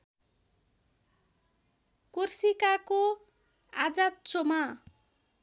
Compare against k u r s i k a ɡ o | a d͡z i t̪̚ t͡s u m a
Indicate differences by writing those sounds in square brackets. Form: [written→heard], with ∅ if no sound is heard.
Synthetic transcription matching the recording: k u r s i k a [ɡ→k] o | a d͡z [i→a] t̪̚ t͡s [u→o] m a